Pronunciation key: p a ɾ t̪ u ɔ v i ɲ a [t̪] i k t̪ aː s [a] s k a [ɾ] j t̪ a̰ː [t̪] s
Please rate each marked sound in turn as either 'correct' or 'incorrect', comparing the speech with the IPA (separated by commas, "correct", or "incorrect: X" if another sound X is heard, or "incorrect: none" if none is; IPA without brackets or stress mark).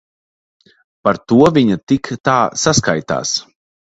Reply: correct, correct, incorrect: none, incorrect: none